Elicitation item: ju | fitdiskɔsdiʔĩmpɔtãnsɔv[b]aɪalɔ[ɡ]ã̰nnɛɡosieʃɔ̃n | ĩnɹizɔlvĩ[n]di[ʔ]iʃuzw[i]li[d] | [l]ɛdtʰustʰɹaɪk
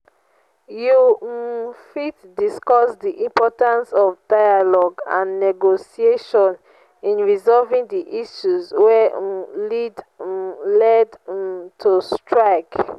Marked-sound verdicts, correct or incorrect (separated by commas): incorrect, correct, incorrect, correct, incorrect, correct, correct